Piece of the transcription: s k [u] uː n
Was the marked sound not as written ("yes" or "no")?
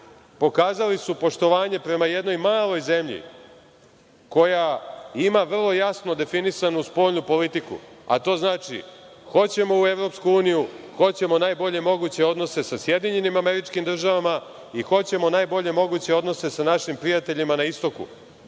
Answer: no